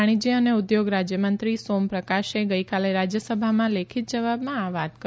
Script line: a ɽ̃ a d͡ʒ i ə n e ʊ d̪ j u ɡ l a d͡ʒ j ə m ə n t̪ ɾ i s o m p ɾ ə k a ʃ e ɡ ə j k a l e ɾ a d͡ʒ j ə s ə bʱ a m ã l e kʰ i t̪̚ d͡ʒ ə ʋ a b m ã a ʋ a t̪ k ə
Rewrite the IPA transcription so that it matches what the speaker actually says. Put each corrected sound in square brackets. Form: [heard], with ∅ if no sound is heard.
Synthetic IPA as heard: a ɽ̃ [i] d͡ʒ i ə n e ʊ d̪ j [o] ɡ [ɾ] a d͡ʒ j ə m ə n t̪ ɾ i s o m p ɾ ə k a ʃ e ɡ ə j k a l e ɾ a d͡ʒ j ə s ə bʱ a m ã l e kʰ i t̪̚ d͡ʒ ə ʋ a b m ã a ʋ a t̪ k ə